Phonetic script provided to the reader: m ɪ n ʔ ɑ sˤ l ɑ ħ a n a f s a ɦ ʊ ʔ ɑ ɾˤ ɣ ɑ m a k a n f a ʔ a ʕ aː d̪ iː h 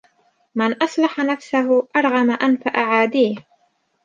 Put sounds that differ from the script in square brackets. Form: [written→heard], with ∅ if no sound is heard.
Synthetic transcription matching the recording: m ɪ n ʔ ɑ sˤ l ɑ ħ a n a f s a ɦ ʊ ʔ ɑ ɾˤ ɣ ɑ m a [k→ʔ] a n f a ʔ a ʕ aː d̪ iː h